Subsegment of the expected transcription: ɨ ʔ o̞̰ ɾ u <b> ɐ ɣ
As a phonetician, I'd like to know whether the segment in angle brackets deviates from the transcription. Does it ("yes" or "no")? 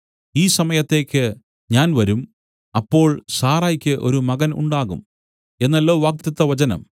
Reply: yes